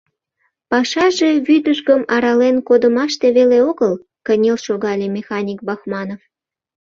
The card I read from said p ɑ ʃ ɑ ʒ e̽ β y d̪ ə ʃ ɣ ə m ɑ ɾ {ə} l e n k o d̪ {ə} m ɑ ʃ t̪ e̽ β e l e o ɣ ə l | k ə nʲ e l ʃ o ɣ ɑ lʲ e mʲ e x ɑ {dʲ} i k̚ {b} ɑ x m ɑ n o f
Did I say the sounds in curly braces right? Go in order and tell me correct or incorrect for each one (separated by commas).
incorrect, correct, incorrect, correct